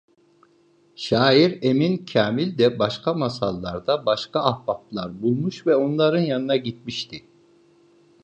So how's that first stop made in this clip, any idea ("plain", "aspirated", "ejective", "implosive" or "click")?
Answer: aspirated